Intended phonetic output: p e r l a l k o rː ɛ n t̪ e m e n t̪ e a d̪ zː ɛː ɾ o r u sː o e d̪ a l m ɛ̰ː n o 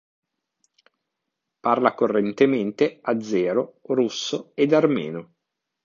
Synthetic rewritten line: p a r l a k o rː e n t̪ e m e n t̪ e a d̪ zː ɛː ɾ o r u sː o e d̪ a r m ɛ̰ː n o